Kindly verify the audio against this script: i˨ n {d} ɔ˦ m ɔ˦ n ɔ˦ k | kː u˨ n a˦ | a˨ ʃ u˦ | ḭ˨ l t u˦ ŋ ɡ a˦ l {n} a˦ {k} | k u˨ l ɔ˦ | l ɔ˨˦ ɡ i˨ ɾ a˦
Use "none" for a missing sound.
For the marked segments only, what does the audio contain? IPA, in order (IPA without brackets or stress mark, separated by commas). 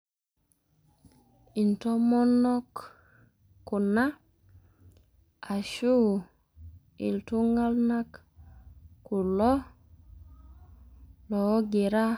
t, n, k